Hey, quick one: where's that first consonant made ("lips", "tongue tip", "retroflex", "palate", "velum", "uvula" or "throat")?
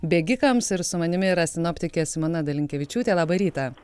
lips